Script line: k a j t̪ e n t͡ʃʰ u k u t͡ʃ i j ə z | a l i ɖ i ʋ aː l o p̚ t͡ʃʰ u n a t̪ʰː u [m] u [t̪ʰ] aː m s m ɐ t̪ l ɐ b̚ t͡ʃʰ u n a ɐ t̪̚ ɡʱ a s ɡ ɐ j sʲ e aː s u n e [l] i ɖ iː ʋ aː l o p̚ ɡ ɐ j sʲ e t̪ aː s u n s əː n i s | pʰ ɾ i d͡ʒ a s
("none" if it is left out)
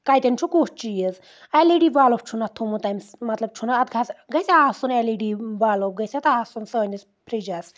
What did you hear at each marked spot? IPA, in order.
m, t̪, l

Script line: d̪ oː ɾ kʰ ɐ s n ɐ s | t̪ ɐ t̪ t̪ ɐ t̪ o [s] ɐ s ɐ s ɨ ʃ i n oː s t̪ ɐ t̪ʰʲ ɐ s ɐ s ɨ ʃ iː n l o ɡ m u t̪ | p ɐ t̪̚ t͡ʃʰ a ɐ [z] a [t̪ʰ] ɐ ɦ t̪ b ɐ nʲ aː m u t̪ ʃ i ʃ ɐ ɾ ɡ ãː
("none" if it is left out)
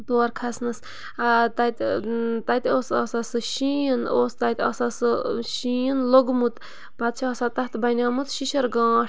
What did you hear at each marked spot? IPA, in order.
s, s, t̪

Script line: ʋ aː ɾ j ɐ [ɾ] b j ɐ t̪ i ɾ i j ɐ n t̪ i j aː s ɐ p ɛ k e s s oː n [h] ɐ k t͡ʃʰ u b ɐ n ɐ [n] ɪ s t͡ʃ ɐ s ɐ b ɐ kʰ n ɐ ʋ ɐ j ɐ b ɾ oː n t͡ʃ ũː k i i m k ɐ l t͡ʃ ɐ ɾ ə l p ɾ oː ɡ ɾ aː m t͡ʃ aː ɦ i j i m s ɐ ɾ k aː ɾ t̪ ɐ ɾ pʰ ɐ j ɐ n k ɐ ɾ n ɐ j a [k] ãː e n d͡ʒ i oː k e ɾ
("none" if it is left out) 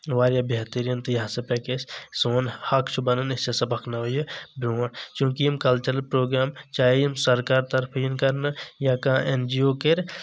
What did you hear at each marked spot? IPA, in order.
none, h, n, k

